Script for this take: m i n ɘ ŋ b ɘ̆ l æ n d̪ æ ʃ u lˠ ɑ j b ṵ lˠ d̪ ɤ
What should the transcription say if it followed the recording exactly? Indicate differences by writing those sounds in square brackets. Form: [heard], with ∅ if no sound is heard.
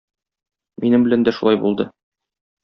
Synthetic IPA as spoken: m i n ɘ [m] b ɘ̆ l æ n d̪ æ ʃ u lˠ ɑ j b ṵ lˠ d̪ ɤ